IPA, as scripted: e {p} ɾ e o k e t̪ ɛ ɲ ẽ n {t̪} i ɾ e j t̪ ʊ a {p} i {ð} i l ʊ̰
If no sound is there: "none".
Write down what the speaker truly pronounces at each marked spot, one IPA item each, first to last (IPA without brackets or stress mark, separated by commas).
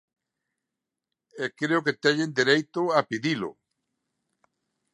k, d̪, p, ð